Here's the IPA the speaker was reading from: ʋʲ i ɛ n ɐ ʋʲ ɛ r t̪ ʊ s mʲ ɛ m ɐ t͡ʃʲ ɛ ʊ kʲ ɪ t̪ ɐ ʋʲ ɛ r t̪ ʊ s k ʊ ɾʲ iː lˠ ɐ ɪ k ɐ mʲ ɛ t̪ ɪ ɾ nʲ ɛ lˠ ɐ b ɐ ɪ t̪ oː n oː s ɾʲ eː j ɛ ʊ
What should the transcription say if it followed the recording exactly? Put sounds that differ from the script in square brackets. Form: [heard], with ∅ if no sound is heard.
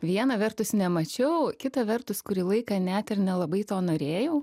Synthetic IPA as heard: ʋʲ i ɛ n ɐ ʋʲ ɛ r t̪ ʊ s [nʲ] ɛ m ɐ t͡ʃʲ ɛ ʊ kʲ ɪ t̪ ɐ ʋʲ ɛ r t̪ ʊ s k ʊ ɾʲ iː lˠ ɐ ɪ k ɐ [nʲ] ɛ t̪ ɪ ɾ nʲ ɛ lˠ ɐ b ɐ ɪ t̪ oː n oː [∅] ɾʲ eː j ɛ ʊ

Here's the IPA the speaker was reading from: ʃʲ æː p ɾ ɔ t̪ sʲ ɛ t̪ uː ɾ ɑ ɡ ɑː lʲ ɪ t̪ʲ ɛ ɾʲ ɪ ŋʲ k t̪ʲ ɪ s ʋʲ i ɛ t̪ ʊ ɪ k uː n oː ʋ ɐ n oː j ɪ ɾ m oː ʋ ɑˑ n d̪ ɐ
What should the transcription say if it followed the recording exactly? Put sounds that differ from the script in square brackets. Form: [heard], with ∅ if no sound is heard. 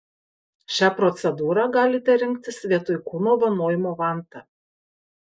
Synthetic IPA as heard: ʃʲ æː p ɾ ɔ t̪ sʲ ɛ [d̪] uː ɾ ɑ ɡ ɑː lʲ ɪ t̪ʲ ɛ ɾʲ ɪ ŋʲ k t̪ʲ ɪ s ʋʲ i ɛ t̪ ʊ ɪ k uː n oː ʋ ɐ n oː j ɪ [∅] m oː ʋ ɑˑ n [t̪] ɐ

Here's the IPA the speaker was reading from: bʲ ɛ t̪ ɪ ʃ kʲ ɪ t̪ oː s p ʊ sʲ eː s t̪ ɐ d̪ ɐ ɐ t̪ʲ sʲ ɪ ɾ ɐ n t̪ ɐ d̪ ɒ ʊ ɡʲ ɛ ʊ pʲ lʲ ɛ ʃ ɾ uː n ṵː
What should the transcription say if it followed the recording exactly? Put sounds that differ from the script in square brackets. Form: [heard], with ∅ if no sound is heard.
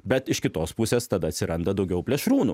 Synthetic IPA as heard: bʲ ɛ t̪ ɪ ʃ kʲ ɪ t̪ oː s p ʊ sʲ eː s t̪ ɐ d̪ ɐ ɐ t̪ʲ sʲ ɪ ɾ ɐ n [d̪] ɐ d̪ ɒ ʊ ɡʲ ɛ ʊ pʲ lʲ ɛ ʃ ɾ uː n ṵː

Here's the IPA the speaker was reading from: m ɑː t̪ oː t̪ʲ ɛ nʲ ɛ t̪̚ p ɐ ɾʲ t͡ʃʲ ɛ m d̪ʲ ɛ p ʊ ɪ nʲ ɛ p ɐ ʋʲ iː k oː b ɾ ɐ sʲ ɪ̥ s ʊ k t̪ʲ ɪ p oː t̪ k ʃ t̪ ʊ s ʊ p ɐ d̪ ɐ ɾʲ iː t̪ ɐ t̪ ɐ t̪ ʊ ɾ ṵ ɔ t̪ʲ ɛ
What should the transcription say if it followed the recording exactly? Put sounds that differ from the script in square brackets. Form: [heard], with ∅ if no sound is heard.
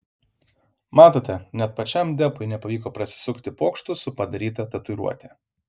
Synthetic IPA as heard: m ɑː t̪ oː t̪ʲ ɛ nʲ ɛ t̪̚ p ɐ [∅] t͡ʃʲ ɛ m d̪ʲ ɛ p ʊ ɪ nʲ ɛ p ɐ ʋʲ iː k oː [p] ɾ ɐ sʲ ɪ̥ s ʊ k t̪ʲ ɪ p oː [∅] k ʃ t̪ ʊ s ʊ p ɐ d̪ ɐ ɾʲ iː t̪ ɐ t̪ ɐ t̪ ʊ ɾ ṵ ɔ t̪ʲ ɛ

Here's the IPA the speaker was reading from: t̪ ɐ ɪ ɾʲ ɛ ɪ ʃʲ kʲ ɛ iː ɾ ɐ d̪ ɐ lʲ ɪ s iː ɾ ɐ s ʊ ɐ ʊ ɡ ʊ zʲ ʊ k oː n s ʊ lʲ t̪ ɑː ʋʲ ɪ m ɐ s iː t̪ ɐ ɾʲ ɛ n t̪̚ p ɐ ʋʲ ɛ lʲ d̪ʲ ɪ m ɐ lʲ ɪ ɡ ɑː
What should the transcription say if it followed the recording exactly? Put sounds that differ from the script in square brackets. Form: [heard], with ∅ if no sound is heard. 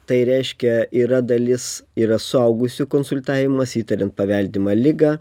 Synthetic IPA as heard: t̪ ɐ ɪ ɾʲ ɛ ɪ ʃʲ kʲ ɛ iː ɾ ɐ d̪ ɐ lʲ ɪ s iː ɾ ɐ s ʊ ɐ ʊ ɡ ʊ [sʲ] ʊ k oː n s ʊ lʲ t̪ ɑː ʋʲ ɪ m ɐ s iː t̪ ɐ ɾʲ ɛ n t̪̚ p ɐ ʋʲ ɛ lʲ d̪ʲ ɪ m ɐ lʲ ɪ ɡ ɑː

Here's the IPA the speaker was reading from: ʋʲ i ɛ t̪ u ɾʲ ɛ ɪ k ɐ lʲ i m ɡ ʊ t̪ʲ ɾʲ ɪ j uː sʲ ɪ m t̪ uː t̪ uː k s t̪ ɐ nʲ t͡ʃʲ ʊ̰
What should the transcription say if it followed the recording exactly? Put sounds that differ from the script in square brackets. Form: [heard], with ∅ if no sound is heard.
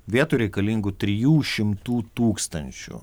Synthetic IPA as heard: ʋʲ i ɛ t̪ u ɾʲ ɛ ɪ k ɐ lʲ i [ŋ] ɡ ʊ t̪ʲ ɾʲ ɪ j uː [ʃʲ] ɪ m t̪ uː t̪ uː k s t̪ ɐ nʲ t͡ʃʲ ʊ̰

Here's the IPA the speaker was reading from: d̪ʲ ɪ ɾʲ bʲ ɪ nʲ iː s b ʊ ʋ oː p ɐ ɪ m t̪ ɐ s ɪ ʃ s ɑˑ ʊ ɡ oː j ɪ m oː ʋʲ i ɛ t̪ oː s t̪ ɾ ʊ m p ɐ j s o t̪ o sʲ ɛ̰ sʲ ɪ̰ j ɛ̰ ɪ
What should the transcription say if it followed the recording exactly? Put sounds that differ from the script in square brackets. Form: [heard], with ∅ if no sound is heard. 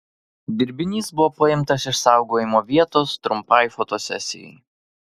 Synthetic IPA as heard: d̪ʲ ɪ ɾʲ bʲ ɪ nʲ iː s b ʊ ʋ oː p ɐ ɪ m t̪ ɐ s ɪ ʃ s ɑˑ ʊ ɡ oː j ɪ m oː ʋʲ i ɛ t̪ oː s t̪ ɾ ʊ m p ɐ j [f] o t̪ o sʲ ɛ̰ sʲ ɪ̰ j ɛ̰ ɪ

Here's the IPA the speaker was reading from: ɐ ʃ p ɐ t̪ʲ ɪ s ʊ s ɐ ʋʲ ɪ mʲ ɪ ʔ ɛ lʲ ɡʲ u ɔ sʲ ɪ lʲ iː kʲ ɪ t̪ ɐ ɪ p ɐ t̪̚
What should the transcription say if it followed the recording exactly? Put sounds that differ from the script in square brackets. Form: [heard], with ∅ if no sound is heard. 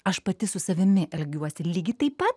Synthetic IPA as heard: ɐ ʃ p ɐ t̪ʲ ɪ s ʊ s ɐ ʋʲ ɪ mʲ ɪ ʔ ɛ lʲ ɡʲ u ɔ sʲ ɪ lʲ iː [ɡʲ] ɪ t̪ ɐ ɪ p ɐ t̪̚

